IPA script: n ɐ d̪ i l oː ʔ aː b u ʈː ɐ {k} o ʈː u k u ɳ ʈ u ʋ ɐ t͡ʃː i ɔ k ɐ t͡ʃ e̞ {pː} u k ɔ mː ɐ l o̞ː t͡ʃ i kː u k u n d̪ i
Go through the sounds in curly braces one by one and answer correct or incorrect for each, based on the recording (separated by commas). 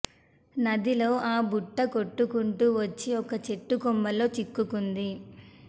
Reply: correct, incorrect